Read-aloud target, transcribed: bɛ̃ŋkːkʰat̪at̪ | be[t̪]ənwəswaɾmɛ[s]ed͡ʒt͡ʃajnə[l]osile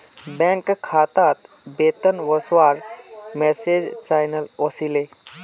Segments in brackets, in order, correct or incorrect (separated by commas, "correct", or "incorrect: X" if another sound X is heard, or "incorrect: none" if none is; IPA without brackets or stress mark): correct, correct, correct